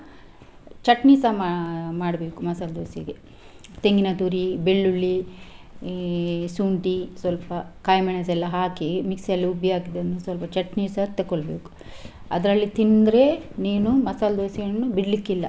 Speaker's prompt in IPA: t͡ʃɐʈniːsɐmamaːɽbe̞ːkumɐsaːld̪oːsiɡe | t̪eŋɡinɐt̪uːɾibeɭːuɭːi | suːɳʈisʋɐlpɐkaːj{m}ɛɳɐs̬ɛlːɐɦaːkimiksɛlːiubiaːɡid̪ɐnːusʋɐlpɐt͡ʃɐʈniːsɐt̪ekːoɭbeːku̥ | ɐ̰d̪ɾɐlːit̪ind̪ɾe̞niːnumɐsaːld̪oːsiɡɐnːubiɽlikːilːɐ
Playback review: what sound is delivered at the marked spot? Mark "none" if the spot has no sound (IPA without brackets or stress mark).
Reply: m